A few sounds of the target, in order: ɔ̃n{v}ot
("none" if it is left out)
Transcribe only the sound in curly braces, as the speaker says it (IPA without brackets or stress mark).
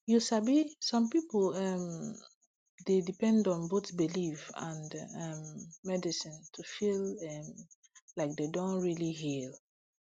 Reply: b